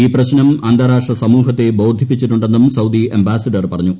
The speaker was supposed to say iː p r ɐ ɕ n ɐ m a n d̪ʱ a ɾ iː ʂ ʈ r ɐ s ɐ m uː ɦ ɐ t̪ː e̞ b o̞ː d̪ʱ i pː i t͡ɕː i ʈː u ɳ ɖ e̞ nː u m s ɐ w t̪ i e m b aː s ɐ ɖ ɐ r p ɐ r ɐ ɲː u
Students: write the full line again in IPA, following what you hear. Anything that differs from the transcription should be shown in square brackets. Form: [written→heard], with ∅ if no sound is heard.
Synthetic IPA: iː p r ɐ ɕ n ɐ m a n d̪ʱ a ɾ [iː→aː] ʂ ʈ r ɐ s ɐ m uː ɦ ɐ t̪ː e̞ b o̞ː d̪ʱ i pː i t͡ɕː i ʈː u ɳ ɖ e̞ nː u m s ɐ w [t̪→d̪] i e m b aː s ɐ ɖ ɐ r p ɐ r ɐ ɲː u